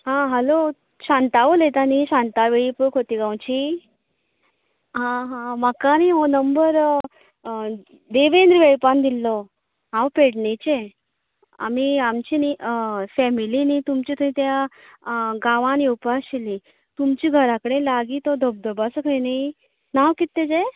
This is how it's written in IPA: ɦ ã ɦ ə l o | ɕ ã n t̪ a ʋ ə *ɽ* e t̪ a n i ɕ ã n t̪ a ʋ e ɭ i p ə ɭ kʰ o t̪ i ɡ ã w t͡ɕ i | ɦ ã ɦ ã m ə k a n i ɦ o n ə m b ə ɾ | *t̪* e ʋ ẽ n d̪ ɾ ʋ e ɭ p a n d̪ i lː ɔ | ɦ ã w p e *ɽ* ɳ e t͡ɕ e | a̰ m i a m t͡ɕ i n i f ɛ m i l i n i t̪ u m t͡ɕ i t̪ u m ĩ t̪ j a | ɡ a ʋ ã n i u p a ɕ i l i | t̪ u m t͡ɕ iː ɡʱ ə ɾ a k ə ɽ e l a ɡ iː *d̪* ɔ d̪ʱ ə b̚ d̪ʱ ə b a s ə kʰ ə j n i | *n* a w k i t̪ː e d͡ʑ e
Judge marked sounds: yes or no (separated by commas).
no, no, yes, no, yes